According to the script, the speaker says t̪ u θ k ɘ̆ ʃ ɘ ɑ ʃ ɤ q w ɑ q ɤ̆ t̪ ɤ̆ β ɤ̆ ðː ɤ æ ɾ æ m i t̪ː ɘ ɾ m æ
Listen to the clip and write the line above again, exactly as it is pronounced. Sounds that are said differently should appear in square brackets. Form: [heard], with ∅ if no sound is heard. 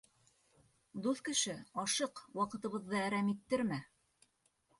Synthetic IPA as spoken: [d̪] u θ k ɘ̆ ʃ ɘ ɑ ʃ ɤ q w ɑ q ɤ̆ t̪ ɤ̆ β ɤ̆ ðː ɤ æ ɾ æ m i t̪ː ɘ ɾ m æ

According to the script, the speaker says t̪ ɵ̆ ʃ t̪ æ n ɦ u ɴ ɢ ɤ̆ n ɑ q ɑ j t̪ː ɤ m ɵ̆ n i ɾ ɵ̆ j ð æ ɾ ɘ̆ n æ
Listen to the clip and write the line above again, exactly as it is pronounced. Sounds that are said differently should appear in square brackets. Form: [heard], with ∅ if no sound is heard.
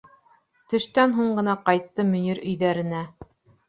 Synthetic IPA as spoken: t̪ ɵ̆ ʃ t̪ æ n ɦ u ɴ ɢ ɤ̆ n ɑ q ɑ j t̪ː ɤ m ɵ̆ n i ɾ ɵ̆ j ð æ ɾ ɘ̆ n æ

